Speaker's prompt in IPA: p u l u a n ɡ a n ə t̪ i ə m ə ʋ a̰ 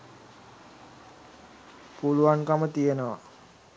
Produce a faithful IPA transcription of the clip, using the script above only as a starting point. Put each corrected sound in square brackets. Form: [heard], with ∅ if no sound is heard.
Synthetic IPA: p u l u a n [k] a [m] ə t̪ i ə [n] ə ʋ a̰